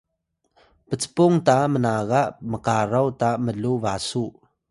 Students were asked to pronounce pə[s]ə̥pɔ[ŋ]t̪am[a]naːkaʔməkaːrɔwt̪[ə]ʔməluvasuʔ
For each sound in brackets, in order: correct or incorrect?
incorrect: t͡s, correct, incorrect: ə, incorrect: a

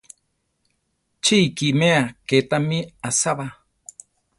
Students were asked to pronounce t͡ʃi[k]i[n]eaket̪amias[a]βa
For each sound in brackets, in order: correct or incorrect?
correct, incorrect: m, correct

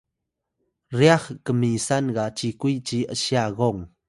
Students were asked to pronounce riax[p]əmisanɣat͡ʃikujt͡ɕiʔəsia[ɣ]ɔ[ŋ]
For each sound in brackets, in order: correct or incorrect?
incorrect: k, correct, correct

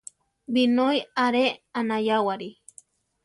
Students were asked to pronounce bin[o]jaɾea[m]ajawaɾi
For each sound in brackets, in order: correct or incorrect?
correct, incorrect: n

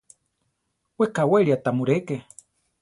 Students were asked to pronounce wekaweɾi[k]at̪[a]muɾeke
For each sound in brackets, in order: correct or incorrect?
incorrect: none, correct

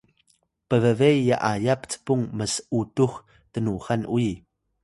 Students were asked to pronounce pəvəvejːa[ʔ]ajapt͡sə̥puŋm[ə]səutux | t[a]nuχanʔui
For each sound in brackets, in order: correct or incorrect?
correct, correct, incorrect: ə

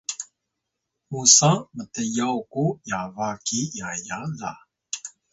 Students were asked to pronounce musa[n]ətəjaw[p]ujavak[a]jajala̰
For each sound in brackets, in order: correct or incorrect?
incorrect: m, incorrect: k, incorrect: i

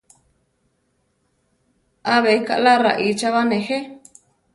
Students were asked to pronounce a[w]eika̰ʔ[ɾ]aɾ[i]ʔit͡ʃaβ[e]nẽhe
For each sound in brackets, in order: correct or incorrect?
incorrect: β, incorrect: l, incorrect: a, incorrect: a

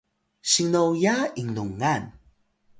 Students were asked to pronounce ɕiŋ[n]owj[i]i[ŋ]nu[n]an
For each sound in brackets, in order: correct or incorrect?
correct, incorrect: a, correct, incorrect: ŋ

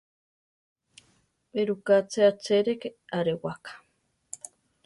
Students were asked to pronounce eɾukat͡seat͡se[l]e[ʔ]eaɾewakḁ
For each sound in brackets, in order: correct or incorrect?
incorrect: ɾ, incorrect: k

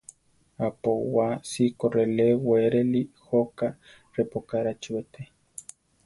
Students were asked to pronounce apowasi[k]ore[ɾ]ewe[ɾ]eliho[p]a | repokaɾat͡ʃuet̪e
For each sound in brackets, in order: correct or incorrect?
correct, incorrect: l, correct, incorrect: k

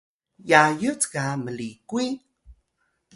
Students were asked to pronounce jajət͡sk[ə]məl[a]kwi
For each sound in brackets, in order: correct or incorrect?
incorrect: a, incorrect: i

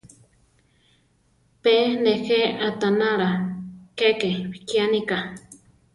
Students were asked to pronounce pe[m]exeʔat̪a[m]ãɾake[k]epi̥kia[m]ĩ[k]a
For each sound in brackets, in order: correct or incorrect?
incorrect: n, incorrect: n, correct, incorrect: n, correct

